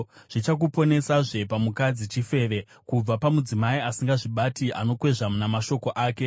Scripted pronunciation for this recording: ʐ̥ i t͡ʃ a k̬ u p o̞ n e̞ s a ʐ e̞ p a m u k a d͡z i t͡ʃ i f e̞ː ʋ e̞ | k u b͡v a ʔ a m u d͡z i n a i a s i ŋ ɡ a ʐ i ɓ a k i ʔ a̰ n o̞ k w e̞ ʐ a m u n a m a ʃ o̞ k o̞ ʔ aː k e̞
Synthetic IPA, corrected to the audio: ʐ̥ i t͡ʃ a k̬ u p o̞ n e̞ s a ʐ e̞ p a m u k a d͡z i t͡ʃ i f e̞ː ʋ e̞ | k u b͡v a p a m u d͡z i m a i a s i ŋ ɡ a ʐ i ɓ a t i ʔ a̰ n o̞ k w e̞ ʐ a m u n a m a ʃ o̞ k o̞ ʔ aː k e̞